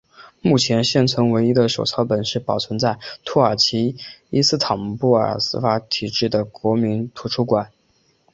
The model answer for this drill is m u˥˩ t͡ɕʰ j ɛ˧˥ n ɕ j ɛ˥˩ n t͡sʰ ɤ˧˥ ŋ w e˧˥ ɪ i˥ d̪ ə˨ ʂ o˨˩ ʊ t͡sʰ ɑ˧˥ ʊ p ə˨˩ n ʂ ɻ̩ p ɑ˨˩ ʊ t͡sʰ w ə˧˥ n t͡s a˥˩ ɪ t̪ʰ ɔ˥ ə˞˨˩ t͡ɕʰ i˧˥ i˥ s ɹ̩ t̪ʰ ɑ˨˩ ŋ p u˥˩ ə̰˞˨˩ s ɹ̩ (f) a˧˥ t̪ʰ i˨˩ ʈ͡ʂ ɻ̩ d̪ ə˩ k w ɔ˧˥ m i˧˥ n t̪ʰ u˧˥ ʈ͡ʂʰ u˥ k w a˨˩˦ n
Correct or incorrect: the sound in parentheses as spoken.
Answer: correct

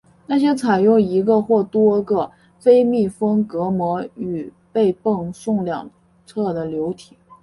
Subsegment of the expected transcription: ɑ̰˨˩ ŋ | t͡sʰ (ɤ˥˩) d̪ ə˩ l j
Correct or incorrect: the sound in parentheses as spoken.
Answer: correct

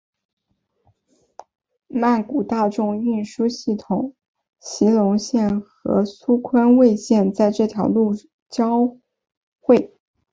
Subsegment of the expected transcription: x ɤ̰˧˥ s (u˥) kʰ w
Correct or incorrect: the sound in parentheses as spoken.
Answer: correct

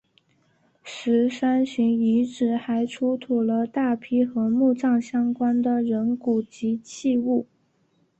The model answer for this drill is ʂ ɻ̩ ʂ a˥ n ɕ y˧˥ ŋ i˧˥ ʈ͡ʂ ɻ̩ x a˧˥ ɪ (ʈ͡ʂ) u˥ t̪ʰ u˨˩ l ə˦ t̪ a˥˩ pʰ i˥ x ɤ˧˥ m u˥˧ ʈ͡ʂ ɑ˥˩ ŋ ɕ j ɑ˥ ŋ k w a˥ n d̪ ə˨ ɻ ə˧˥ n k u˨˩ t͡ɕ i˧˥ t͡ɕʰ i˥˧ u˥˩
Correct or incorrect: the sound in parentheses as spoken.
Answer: incorrect: ʈ͡ʂʰ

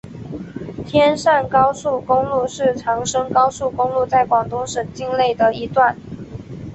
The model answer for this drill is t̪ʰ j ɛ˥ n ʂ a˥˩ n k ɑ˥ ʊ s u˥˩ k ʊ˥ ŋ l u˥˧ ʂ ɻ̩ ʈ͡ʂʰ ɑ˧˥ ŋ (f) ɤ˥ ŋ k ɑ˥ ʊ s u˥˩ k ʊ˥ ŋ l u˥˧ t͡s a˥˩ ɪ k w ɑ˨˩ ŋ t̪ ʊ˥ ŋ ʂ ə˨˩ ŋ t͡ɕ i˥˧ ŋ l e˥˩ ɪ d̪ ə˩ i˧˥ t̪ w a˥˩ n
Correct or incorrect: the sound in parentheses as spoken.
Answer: incorrect: ʂ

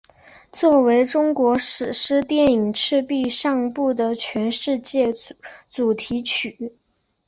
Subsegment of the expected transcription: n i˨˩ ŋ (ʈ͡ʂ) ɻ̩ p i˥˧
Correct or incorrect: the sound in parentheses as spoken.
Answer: incorrect: ʈ͡ʂʰ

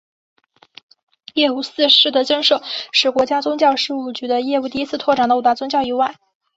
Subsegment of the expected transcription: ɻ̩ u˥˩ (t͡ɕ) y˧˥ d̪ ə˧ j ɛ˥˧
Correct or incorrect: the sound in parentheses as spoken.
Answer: correct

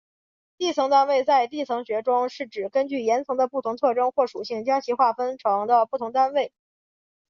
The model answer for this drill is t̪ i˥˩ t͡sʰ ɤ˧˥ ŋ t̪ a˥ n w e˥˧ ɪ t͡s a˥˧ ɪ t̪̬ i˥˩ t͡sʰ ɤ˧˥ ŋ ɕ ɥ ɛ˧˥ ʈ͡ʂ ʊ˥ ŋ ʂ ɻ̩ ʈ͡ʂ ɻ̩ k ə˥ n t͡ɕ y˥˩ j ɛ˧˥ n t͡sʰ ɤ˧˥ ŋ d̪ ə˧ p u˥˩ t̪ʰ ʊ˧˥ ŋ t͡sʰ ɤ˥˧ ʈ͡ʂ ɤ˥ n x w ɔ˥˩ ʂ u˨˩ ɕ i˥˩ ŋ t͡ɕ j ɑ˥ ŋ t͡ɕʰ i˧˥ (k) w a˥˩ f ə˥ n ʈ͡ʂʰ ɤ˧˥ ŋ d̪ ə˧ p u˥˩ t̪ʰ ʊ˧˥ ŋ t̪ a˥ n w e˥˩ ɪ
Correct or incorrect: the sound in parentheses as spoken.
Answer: incorrect: x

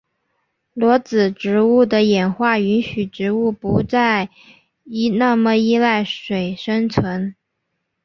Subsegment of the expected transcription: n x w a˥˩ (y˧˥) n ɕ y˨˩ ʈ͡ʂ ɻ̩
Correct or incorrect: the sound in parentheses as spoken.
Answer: correct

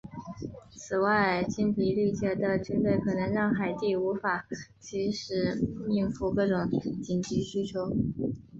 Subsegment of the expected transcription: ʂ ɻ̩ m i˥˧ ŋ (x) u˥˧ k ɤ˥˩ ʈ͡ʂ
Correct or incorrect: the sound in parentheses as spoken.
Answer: incorrect: f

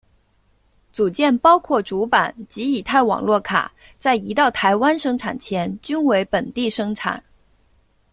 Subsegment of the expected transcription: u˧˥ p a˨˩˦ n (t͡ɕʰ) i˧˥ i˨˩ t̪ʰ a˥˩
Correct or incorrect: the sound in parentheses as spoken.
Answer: incorrect: t͡ɕ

